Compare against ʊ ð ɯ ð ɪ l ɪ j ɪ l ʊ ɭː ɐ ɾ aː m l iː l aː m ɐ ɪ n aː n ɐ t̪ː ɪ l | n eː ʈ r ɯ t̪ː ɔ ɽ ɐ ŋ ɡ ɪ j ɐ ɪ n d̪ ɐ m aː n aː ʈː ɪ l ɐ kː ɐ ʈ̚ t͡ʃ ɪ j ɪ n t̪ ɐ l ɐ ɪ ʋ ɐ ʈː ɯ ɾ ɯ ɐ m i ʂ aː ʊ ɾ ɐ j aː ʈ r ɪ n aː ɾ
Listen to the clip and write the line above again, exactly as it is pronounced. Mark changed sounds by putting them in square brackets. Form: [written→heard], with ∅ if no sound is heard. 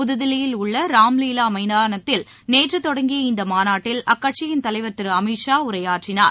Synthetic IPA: ʊ ð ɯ ð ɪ l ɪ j ɪ l ʊ ɭː ɐ ɾ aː m l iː l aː m ɐ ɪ n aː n ɐ t̪ː ɪ l | n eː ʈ r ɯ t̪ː ɔ ɽ ɐ ŋ ɡ ɪ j ɐ ɪ n d̪ ɐ m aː n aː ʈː ɪ l ɐ kː ɐ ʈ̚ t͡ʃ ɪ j ɪ n t̪ ɐ l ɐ ɪ ʋ ɐ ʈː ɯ ɾ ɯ ɐ m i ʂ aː ʊ ɾ ɐ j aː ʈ r ɪ n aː ɾ